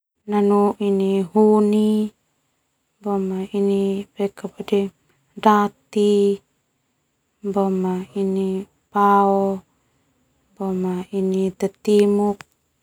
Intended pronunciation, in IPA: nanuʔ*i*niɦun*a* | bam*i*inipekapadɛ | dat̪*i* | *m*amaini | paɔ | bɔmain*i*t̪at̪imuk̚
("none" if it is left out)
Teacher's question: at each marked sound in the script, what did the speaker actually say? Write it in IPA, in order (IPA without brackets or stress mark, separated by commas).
i, i, a, i, b, i